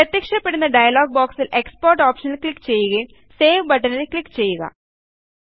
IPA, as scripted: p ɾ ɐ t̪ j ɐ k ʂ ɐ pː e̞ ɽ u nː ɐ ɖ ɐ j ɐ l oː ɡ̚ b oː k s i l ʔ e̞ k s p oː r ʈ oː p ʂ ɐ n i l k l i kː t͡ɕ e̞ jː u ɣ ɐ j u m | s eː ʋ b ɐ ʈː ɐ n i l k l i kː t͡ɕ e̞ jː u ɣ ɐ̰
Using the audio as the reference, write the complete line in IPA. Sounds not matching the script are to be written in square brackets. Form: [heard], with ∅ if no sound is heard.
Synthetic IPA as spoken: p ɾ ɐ t̪ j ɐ k ʂ ɐ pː e̞ ɽ u nː ɐ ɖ ɐ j ɐ l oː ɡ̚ b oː k s i l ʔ e̞ k s p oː r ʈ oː p ʂ ɐ n i l k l i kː t͡ɕ e̞ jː u ɣ ɐ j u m | s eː ʋ b ɐ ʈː ɐ n i l k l i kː t͡ɕ e̞ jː u ɣ ɐ̰

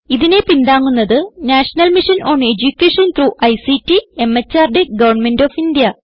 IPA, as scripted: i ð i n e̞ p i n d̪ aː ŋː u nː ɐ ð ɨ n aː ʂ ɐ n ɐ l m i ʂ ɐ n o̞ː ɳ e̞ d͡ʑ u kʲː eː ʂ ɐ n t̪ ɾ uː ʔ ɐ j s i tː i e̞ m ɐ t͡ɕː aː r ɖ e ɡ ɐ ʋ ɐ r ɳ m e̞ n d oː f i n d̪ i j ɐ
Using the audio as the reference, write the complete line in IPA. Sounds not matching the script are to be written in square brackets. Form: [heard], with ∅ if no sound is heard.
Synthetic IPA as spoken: i ð i n e̞ p i n d̪ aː ŋː u nː ɐ ð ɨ n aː ʂ ɐ n ɐ l m i ʂ ɐ n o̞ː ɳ e̞ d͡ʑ u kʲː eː ʂ ɐ n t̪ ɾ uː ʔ ɐ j s i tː i e̞ m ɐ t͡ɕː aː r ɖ e ɡ ɐ ʋ ɐ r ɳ m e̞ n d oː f i n d̪ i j ɐ

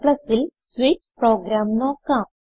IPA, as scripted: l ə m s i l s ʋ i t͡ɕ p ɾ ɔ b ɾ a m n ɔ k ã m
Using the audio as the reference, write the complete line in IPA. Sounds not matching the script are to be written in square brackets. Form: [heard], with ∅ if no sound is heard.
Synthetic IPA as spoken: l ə [∅] s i l s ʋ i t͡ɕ p ɾ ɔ [ɡ] ɾ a m n ɔ k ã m

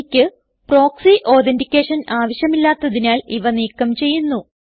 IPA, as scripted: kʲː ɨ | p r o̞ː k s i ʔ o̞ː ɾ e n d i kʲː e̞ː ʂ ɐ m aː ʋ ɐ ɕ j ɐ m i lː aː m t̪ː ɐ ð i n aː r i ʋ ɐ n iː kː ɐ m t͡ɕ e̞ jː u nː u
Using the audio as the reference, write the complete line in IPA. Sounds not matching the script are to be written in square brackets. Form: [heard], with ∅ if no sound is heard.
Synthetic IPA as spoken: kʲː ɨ | p r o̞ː k s i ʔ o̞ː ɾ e n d i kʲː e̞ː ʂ ɐ [n] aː ʋ ɐ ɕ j ɐ m i lː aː [∅] t̪ː ɐ ð i n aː [l] i ʋ ɐ n iː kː ɐ m t͡ɕ e̞ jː u nː u

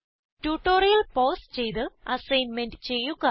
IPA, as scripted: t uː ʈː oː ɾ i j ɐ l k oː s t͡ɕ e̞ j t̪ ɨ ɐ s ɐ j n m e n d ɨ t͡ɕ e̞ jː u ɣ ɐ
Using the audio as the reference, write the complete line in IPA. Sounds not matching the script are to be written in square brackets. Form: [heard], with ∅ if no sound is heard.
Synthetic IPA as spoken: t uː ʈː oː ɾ i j ɐ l [p] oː s t͡ɕ e̞ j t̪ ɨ ɐ s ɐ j n m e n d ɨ t͡ɕ e̞ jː u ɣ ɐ

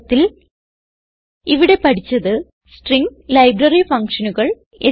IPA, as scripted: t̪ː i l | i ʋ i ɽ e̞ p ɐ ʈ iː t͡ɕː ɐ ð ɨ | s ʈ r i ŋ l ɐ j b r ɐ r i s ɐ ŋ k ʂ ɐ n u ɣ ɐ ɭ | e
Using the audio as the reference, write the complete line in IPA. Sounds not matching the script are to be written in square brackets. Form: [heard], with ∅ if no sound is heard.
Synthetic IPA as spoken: t̪ː i l | i ʋ i ɽ e̞ p ɐ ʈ [i] t͡ɕː ɐ ð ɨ | s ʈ r i ŋ l ɐ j b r ɐ r i [f] ɐ ŋ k ʂ ɐ n u ɣ ɐ ɭ | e

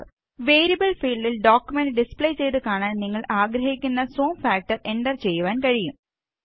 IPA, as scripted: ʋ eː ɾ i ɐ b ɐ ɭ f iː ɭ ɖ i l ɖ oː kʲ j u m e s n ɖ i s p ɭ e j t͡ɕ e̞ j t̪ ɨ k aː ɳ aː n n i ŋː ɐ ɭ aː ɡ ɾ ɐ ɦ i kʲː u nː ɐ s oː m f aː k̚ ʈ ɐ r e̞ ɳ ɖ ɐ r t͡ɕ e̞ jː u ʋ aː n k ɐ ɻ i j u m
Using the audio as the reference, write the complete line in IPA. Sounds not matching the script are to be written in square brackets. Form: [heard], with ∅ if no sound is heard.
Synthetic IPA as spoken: ʋ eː ɾ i ɐ b ɐ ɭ f iː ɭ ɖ i l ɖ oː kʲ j u m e [∅] n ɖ i s p ɭ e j t͡ɕ e̞ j t̪ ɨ k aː ɳ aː n n i ŋː ɐ ɭ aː ɡ ɾ ɐ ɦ i kʲː u nː ɐ s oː m f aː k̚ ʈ ɐ r e̞ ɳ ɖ ɐ r t͡ɕ e̞ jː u ʋ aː n k ɐ ɻ i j u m

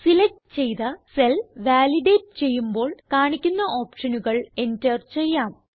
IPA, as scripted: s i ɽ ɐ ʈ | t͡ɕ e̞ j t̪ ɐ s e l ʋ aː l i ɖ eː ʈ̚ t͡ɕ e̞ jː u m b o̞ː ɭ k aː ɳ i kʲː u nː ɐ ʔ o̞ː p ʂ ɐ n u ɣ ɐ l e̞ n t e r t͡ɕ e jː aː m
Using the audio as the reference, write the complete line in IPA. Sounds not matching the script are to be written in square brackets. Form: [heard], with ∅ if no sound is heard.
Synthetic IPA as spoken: s i [l] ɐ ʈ | t͡ɕ e̞ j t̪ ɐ s e l ʋ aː l i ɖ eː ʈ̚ t͡ɕ e̞ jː u m b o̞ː ɭ k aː ɳ i kʲː u nː ɐ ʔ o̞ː p ʂ ɐ n u ɣ ɐ [ɭ] e̞ n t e r t͡ɕ e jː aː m

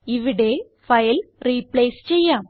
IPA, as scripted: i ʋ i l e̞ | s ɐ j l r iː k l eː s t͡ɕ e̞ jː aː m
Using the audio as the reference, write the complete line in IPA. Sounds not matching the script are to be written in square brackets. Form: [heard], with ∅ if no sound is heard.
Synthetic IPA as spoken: i ʋ i [ɽ] e̞ | [f] ɐ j l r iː [p] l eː s t͡ɕ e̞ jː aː m

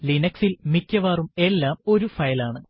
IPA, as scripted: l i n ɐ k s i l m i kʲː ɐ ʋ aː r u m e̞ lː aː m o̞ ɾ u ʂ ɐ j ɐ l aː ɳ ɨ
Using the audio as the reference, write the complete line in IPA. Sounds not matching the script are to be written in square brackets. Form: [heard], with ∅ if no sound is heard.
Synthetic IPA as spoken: l i n ɐ k s i l m i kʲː ɐ ʋ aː r u m e̞ lː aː m o̞ ɾ u [f] ɐ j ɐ l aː ɳ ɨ

